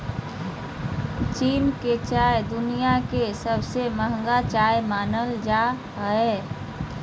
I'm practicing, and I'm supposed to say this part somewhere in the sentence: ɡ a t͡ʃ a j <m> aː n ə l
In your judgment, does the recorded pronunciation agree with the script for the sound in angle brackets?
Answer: yes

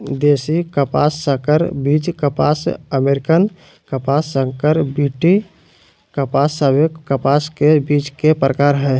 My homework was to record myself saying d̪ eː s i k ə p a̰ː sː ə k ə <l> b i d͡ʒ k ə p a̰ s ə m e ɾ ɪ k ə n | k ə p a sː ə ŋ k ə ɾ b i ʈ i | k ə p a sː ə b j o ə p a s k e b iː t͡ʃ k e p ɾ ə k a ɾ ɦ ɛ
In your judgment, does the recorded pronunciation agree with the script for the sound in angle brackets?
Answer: no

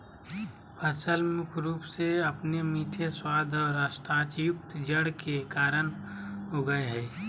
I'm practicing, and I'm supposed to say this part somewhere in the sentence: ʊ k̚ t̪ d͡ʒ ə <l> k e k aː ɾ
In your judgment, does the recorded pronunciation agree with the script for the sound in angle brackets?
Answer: no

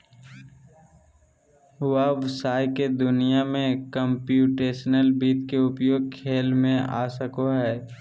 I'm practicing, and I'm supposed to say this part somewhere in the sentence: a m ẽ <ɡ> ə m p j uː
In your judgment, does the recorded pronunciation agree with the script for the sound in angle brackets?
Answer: no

